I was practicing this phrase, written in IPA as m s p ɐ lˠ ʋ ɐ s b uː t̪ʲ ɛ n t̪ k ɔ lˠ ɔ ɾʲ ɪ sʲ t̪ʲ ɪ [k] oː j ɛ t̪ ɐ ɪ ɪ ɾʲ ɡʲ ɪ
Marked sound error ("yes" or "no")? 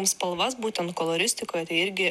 no